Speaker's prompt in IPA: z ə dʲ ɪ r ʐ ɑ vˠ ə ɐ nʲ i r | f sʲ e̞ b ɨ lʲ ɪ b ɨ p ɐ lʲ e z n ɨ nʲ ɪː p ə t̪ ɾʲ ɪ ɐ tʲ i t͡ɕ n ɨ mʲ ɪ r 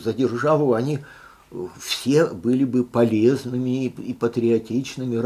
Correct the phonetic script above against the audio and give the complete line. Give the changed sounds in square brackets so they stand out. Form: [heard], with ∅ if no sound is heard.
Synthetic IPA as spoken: z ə dʲ ɪ r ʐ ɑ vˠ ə ɐ nʲ i [∅] | f sʲ e̞ b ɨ lʲ ɪ b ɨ p ɐ lʲ e z n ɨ [mʲ] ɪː p ə t̪ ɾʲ ɪ ɐ tʲ i t͡ɕ n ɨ mʲ ɪ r

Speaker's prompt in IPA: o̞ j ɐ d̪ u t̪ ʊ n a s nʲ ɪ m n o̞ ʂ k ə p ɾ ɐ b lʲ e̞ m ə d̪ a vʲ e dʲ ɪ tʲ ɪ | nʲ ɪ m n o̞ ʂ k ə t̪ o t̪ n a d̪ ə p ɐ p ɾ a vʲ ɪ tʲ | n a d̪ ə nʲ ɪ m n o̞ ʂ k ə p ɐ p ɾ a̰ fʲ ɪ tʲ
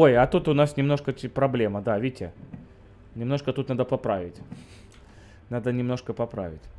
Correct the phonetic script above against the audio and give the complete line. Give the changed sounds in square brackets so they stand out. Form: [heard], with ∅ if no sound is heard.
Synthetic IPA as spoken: o̞ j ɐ [t̪] u t̪ ʊ n a s nʲ ɪ m n o̞ ʂ k ə p ɾ ɐ b lʲ e̞ m ə d̪ a vʲ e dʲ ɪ tʲ ɪ | nʲ ɪ m n o̞ ʂ k ə t̪ [u] t̪ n a d̪ ə p ɐ p ɾ a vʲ ɪ tʲ | n a d̪ ə nʲ ɪ m n o̞ ʂ k ə p ɐ p ɾ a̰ [vʲ] ɪ tʲ

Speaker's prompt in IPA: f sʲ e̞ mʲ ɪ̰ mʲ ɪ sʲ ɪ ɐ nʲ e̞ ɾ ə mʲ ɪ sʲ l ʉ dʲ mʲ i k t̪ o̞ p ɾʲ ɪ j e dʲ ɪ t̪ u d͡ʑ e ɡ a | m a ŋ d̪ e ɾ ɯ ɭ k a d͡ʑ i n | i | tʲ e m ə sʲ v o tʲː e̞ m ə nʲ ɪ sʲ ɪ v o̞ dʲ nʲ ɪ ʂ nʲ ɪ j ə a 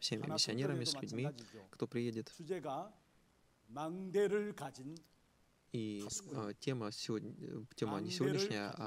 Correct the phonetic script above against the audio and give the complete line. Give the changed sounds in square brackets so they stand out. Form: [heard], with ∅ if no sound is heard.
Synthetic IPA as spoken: f sʲ e̞ mʲ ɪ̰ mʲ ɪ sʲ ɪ ɐ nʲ e̞ ɾ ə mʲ ɪ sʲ l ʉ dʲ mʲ i k t̪ o̞ p ɾʲ ɪ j e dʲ ɪ t̪ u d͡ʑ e ɡ a | m a ŋ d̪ e ɾ ɯ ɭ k a d͡ʑ i n | i | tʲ e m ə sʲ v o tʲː e̞ m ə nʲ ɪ sʲ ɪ v o̞ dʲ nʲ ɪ ʂ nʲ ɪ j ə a

